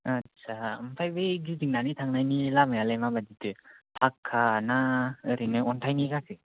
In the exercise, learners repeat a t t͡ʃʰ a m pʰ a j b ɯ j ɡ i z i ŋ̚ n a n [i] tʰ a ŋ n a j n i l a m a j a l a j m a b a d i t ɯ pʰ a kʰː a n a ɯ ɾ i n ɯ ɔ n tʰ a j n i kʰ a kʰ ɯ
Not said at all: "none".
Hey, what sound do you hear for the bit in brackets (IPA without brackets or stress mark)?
i